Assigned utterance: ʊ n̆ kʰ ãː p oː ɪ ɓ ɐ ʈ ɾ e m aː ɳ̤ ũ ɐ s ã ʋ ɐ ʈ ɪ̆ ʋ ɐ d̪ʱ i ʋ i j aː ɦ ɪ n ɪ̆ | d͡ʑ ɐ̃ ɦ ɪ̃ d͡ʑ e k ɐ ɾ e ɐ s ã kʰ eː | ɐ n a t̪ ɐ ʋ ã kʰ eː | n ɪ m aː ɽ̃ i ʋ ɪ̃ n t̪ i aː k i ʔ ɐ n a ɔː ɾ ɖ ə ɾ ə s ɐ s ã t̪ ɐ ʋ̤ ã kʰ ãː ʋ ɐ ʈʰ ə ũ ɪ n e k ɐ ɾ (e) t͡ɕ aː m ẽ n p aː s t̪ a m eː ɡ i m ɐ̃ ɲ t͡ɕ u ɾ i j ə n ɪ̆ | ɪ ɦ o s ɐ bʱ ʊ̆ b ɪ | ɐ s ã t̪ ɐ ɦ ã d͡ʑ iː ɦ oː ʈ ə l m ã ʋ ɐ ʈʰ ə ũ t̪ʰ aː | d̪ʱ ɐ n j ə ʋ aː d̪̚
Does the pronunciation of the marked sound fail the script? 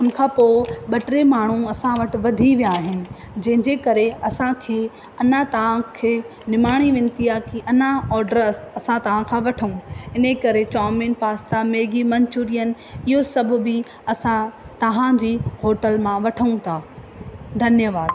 no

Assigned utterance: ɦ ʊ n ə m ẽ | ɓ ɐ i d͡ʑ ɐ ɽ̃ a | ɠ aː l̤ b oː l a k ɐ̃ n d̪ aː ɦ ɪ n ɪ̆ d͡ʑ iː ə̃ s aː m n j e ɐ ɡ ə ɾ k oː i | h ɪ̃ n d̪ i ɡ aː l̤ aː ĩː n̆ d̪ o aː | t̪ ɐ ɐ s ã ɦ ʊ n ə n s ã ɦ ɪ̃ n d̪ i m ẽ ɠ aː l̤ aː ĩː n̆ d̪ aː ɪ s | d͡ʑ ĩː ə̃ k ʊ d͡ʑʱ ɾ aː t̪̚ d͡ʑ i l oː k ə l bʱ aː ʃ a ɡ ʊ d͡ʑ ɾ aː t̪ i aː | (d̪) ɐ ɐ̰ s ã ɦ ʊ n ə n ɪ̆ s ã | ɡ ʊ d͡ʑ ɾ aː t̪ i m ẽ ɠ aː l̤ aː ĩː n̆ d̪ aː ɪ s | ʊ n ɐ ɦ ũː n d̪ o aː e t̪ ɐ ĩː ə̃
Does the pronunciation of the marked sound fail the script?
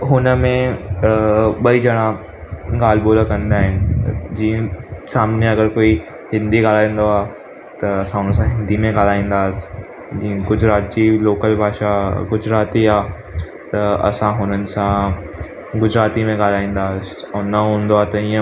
yes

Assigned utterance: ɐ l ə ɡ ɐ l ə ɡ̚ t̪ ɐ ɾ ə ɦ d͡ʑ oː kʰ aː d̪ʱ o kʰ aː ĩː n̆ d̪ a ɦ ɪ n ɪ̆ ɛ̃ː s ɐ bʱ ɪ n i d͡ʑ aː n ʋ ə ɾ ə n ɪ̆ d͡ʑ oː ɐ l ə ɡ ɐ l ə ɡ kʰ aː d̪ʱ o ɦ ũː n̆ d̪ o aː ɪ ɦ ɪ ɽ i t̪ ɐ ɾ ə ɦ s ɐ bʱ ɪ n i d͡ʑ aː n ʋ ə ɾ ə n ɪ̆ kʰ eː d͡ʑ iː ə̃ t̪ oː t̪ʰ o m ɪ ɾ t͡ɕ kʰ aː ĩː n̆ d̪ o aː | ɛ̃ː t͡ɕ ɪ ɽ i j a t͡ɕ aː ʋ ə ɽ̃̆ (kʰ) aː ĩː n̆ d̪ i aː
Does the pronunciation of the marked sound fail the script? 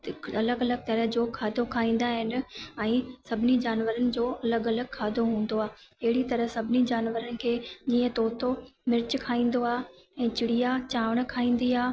no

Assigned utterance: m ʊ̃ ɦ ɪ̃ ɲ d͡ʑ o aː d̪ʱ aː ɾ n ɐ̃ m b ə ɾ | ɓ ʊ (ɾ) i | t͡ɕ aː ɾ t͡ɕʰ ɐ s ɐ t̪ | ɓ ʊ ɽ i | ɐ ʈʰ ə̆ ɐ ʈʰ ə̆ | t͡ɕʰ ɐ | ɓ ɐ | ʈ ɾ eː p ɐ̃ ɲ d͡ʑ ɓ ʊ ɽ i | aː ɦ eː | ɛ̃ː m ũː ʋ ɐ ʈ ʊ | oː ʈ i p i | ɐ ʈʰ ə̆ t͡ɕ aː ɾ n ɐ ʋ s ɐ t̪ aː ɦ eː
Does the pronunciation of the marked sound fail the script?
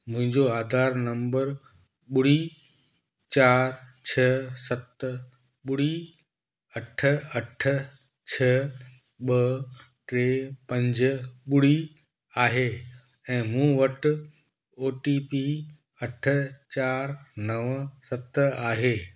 yes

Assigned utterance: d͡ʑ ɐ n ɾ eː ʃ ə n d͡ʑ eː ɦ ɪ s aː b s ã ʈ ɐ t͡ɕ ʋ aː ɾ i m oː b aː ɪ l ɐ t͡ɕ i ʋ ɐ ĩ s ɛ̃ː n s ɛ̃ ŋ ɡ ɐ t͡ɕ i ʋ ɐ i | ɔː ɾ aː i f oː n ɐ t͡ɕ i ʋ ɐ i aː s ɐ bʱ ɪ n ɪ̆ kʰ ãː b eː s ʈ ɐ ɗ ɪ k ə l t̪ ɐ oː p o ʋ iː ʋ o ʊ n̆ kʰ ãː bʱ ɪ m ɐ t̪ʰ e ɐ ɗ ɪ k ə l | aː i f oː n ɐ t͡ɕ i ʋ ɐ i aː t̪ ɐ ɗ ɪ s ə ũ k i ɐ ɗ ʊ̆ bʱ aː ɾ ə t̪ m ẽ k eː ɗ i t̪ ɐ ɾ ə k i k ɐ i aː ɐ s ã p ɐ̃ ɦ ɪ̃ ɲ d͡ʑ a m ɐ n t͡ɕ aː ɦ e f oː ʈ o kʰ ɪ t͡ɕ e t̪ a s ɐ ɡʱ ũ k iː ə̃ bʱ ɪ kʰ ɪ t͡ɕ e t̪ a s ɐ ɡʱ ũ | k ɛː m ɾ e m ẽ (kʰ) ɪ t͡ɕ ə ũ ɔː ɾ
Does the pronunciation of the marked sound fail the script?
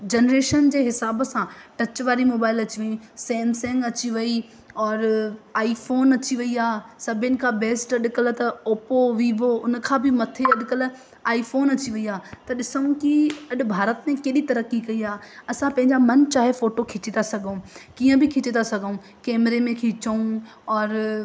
no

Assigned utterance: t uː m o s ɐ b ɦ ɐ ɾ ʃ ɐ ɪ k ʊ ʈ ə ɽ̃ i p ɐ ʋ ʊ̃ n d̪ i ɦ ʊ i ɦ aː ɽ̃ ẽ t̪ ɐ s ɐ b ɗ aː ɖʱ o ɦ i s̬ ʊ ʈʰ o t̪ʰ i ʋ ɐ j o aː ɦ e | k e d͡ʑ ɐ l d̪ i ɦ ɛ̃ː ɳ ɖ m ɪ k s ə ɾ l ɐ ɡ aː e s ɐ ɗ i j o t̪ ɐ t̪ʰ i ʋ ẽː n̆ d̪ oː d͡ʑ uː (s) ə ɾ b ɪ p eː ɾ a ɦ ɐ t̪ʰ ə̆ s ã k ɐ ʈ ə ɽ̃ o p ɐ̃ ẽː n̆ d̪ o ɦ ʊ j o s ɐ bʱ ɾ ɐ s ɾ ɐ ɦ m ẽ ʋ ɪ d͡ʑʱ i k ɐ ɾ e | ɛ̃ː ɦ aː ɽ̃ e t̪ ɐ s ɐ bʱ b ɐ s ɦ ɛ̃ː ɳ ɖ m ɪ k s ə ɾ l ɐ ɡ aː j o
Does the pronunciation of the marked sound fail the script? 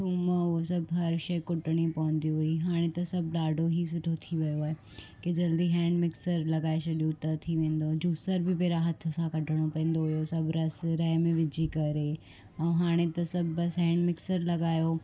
no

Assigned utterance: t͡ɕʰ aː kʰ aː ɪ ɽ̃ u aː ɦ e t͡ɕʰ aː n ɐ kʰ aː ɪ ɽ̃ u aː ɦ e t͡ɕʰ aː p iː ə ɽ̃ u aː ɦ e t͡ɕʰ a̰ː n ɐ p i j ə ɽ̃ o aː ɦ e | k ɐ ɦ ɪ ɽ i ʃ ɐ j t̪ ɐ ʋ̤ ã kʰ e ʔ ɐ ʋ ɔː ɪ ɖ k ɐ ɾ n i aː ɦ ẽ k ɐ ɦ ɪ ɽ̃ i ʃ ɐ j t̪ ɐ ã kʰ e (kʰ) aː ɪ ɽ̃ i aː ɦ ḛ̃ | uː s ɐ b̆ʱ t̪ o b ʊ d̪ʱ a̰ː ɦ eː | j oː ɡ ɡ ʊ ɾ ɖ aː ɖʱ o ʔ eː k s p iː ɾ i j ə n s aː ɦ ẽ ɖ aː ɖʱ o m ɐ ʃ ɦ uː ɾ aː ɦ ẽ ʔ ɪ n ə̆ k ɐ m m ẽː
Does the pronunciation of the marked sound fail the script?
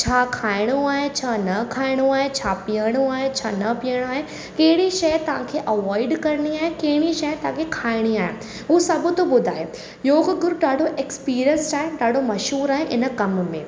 no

